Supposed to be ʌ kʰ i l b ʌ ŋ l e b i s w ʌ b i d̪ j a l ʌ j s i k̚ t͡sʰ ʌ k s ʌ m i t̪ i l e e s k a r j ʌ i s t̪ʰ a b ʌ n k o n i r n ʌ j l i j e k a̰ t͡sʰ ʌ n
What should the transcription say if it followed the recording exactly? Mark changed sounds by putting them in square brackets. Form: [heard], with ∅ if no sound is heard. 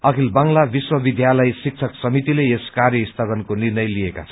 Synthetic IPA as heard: ʌ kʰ i l b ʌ ŋ l [a] b i s w ʌ b i d̪ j a l ʌ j s i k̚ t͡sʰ ʌ k s ʌ m i t̪ i l e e s k a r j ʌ i s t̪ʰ a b ʌ n k o n i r n ʌ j l i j e k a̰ t͡sʰ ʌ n